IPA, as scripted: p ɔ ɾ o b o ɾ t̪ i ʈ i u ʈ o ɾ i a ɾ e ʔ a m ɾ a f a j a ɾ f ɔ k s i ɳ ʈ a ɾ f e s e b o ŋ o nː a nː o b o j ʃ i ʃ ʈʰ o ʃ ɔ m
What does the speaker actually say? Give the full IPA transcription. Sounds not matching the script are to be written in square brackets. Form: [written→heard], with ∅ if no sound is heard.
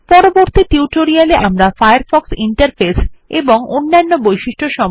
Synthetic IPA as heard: p ɔ ɾ o b o ɾ t̪ i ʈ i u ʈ o ɾ i a [ɾ→l] e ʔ a m ɾ a f a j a ɾ f ɔ k s i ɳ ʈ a ɾ f e s e b o ŋ o nː a nː o b o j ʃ i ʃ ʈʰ o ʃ ɔ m